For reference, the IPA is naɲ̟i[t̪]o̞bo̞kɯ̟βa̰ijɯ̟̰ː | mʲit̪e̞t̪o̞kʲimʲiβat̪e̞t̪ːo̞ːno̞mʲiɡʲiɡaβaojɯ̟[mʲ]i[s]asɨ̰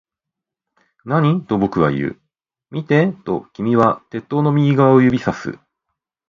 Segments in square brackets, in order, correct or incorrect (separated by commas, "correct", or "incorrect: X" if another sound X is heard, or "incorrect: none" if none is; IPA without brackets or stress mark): correct, incorrect: bʲ, correct